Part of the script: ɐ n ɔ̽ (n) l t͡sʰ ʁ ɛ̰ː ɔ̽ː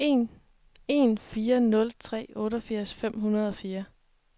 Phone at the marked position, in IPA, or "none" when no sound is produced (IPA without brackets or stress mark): none